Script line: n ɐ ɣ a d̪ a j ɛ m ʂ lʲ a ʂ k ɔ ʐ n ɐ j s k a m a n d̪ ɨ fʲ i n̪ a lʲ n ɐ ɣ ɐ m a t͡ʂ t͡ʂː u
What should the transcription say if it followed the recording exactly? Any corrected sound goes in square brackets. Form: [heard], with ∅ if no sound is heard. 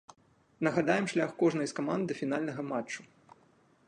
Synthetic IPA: n ɐ ɣ a d̪ a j ɛ m ʂ lʲ a [x] k ɔ ʐ n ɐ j s k a m a n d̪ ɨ fʲ i n̪ a lʲ n ɐ ɣ ɐ m a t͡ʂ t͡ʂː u